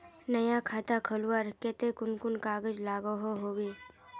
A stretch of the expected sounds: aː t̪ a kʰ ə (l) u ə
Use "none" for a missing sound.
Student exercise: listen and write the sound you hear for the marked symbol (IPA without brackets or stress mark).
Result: l